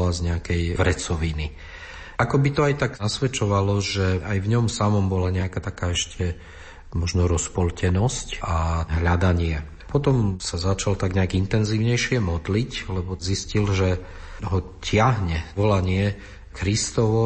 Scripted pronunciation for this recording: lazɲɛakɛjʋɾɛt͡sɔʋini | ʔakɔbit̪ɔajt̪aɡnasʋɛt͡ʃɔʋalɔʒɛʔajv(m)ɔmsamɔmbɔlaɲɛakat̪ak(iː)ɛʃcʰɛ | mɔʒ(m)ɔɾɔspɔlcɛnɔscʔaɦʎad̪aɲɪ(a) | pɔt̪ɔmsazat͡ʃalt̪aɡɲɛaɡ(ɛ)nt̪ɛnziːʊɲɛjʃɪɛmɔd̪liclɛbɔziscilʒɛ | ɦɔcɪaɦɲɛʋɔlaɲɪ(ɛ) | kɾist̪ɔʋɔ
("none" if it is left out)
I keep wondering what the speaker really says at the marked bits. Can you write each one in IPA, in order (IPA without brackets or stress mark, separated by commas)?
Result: ɲ, aː, n, ɛ, i, ɛ